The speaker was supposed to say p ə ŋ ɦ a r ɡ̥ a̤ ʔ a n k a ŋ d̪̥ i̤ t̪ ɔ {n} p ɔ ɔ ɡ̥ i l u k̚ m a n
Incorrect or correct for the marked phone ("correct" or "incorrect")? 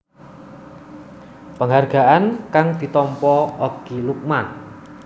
incorrect